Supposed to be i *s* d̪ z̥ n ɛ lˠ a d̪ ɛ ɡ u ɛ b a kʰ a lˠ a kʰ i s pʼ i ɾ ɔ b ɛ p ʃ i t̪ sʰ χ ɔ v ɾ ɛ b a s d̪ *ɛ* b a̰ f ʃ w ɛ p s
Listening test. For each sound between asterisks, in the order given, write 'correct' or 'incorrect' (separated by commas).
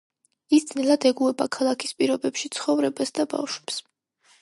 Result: correct, incorrect